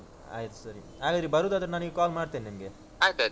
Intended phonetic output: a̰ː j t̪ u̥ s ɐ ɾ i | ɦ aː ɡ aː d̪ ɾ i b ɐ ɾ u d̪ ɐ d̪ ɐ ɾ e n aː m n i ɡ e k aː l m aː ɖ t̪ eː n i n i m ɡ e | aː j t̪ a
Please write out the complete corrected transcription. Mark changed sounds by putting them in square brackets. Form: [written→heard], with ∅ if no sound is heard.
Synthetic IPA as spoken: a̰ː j t̪ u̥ s ɐ ɾ i | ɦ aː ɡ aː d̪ ɾ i b ɐ ɾ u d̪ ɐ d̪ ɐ ɾ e n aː [m→∅] n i ɡ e k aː l m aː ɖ t̪ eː n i n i m ɡ e | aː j t̪ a